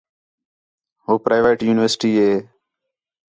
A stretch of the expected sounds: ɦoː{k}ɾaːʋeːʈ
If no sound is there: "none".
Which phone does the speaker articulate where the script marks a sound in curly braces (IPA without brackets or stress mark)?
p